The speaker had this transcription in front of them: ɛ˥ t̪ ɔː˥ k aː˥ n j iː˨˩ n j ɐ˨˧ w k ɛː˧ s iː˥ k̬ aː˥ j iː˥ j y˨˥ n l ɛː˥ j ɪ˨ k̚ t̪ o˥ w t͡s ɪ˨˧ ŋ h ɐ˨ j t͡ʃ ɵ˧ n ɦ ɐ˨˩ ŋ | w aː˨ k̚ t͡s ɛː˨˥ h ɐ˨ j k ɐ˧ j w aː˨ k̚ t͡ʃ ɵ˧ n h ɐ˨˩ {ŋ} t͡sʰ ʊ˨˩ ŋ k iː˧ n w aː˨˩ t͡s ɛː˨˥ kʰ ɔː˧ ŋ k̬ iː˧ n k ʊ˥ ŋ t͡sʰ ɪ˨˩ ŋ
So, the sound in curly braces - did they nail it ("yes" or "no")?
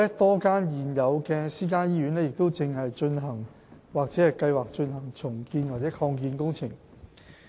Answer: yes